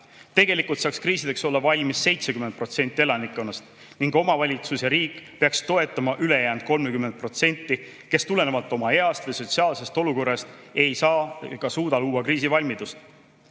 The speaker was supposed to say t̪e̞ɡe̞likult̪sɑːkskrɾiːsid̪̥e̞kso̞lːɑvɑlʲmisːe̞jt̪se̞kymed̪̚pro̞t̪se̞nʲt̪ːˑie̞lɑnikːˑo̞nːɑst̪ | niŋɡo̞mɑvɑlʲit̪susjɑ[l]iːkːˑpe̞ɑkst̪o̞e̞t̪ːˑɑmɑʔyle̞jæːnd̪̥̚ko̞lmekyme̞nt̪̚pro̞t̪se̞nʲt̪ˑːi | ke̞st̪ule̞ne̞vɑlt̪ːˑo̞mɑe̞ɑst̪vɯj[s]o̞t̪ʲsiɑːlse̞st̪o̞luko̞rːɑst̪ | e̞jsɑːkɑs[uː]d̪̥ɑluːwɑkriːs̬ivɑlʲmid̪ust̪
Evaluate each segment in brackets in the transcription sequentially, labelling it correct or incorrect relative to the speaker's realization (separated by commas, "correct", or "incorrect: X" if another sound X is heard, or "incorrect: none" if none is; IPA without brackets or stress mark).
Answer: incorrect: ɾ, correct, correct